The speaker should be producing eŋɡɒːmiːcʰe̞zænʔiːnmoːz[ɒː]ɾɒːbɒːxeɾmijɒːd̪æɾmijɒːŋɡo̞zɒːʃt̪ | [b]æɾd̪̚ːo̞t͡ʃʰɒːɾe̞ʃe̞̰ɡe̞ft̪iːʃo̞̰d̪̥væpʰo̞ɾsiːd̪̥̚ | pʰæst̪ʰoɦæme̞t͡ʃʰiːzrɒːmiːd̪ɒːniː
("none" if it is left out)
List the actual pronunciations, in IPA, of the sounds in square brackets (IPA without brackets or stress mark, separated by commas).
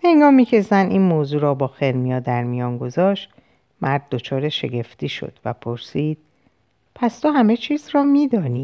uː, m